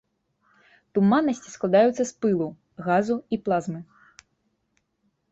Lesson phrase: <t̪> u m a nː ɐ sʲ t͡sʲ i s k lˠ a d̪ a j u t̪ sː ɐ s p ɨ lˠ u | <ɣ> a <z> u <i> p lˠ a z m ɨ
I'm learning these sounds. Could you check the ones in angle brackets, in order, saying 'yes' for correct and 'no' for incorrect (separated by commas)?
yes, yes, yes, yes